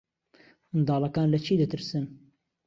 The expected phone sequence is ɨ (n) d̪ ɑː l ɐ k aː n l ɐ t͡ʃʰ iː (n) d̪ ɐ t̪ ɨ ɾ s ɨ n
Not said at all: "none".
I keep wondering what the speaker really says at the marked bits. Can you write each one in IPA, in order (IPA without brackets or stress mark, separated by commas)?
n, none